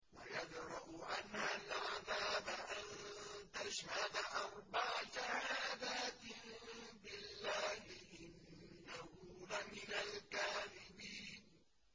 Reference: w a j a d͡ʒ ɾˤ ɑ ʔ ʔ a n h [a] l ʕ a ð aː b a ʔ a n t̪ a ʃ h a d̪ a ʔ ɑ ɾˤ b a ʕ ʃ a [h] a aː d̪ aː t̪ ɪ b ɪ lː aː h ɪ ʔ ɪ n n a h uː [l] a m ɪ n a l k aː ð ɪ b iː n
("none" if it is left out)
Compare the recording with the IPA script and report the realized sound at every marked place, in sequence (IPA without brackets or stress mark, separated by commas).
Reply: a, h, l